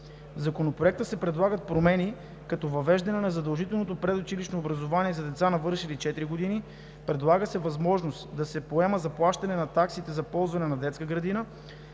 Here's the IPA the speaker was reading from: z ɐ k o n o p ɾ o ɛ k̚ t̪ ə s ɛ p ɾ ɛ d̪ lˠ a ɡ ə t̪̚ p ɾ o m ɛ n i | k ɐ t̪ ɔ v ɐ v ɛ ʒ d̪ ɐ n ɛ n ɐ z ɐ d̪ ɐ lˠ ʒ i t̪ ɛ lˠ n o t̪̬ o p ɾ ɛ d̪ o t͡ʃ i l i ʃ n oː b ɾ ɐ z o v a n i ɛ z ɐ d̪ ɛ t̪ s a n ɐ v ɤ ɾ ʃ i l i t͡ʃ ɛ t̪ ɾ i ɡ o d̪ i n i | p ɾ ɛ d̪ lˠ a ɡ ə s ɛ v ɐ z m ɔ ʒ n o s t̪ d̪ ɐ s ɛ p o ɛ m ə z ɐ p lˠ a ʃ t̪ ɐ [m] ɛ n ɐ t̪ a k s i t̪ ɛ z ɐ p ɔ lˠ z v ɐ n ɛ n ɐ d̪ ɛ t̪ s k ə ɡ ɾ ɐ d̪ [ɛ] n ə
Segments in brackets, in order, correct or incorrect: incorrect: n, incorrect: i

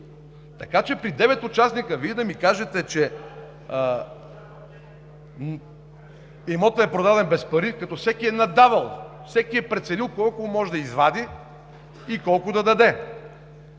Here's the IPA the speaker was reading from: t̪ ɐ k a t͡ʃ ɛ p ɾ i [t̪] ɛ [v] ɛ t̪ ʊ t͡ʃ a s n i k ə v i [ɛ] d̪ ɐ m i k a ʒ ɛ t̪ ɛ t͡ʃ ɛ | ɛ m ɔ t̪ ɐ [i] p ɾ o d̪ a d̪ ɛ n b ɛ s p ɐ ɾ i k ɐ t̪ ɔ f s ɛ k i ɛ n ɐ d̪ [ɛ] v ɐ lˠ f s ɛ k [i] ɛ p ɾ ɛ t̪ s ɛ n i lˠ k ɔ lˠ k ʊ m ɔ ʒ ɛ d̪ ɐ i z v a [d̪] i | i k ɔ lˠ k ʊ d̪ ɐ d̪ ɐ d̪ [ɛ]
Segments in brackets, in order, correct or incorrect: incorrect: d̪, correct, correct, incorrect: ɛ, incorrect: a, correct, correct, correct

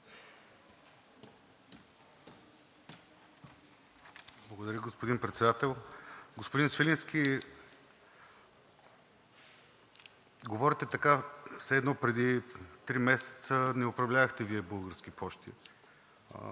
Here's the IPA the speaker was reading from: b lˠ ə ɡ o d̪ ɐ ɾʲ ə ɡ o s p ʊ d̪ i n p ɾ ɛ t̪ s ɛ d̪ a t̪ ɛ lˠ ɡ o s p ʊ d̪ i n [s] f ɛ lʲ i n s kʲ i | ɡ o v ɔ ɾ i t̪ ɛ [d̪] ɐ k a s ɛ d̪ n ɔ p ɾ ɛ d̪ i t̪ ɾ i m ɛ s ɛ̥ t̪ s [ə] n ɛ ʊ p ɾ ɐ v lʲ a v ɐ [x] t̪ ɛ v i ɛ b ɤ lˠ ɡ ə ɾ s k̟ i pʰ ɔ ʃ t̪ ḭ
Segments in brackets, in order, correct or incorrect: correct, incorrect: t̪, correct, correct

